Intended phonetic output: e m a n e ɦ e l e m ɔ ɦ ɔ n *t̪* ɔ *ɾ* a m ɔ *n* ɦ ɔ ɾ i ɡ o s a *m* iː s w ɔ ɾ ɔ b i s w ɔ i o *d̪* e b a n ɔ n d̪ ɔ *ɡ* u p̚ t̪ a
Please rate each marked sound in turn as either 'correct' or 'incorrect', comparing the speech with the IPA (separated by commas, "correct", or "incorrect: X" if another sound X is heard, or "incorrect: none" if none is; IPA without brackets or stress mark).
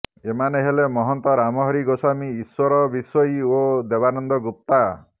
correct, correct, incorrect: none, correct, correct, correct